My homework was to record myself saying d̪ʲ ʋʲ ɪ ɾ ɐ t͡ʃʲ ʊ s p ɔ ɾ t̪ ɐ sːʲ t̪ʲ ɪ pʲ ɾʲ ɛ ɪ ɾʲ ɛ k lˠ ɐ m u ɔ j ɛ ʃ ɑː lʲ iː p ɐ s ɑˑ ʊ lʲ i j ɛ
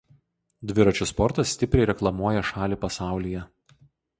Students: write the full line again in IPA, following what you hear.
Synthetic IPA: d̪ʲ ʋʲ ɪ ɾ ɐ t͡ʃʲ ʊ s p ɔ ɾ t̪ ɐ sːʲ t̪ʲ ɪ pʲ ɾʲ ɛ ɪ ɾʲ ɛ k lˠ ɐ m u ɔ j ɛ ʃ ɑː lʲ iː p ɐ s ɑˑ ʊ lʲ i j ɛ